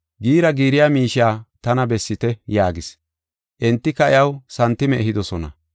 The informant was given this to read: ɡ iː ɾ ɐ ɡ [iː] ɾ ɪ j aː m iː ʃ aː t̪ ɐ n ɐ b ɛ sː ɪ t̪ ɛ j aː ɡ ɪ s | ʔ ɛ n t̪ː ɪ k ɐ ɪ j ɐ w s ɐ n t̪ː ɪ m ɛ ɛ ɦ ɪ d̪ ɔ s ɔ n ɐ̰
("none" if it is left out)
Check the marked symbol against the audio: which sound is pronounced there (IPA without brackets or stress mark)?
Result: iː